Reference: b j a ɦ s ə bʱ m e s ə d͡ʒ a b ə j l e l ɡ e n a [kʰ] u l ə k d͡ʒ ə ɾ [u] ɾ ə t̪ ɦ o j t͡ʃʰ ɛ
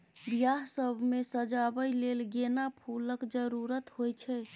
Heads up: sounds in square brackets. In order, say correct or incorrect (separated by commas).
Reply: incorrect, correct